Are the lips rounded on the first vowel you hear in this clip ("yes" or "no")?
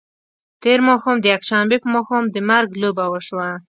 no